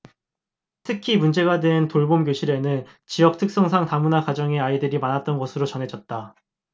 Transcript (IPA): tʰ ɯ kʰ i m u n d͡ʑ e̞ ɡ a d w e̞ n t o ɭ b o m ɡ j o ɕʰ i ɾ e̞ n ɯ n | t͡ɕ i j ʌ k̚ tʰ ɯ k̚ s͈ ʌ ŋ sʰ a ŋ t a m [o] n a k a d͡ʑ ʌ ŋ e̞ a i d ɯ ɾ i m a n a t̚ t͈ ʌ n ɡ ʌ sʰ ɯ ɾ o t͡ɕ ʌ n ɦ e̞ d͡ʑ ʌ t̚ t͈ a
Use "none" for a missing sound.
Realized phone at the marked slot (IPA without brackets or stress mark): u